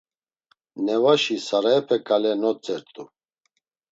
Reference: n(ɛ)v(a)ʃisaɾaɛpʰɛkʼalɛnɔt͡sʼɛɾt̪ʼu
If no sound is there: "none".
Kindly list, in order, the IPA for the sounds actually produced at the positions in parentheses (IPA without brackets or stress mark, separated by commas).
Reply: ɛ, a